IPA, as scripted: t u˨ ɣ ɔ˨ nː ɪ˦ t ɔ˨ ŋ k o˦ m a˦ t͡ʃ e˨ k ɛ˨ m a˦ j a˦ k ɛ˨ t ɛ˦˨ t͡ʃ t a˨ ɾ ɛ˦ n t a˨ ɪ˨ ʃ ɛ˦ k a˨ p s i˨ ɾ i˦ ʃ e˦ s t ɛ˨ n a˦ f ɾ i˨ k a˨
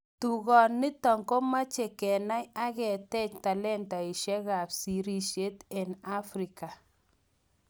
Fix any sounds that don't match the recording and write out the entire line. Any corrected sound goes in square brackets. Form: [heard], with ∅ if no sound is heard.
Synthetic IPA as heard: t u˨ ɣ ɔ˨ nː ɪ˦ t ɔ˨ ŋ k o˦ m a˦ t͡ʃ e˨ k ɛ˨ [n] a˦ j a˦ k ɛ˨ t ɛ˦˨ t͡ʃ t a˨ [l] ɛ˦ n t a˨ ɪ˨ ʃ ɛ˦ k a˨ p s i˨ ɾ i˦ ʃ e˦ [∅] t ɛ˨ n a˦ f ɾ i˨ k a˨